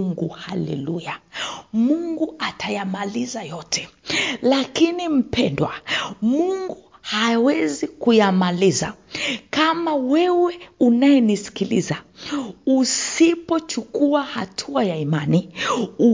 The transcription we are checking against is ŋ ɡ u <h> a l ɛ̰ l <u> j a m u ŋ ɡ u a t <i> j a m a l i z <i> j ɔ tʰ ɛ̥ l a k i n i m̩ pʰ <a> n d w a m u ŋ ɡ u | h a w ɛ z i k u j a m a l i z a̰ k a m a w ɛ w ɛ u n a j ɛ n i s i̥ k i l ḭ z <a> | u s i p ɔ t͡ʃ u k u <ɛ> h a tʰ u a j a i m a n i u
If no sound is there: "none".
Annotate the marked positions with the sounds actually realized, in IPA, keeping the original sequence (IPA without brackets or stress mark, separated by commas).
h, u, a, a, ɛ, a, a